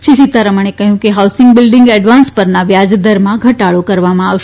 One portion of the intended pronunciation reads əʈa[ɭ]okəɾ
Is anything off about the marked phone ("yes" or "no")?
no